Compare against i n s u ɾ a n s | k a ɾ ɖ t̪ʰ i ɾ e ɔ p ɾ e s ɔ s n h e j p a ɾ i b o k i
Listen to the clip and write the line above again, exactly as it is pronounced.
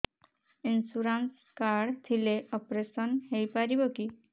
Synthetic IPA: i n s u ɾ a n s | k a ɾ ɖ t̪ʰ i l e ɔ p ɾ e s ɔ n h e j p a ɾ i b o k i